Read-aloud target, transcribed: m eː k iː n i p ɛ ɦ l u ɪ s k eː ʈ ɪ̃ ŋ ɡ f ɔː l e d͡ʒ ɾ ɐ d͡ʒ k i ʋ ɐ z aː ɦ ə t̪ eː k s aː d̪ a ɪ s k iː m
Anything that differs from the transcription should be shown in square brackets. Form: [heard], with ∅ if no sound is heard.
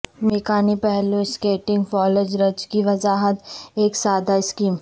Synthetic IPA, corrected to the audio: m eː k [aː] n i p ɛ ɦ l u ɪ s k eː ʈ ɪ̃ ŋ ɡ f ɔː l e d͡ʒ ɾ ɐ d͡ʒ k i ʋ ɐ z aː ɦ ə t̪ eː k s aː d̪ a ɪ s k iː m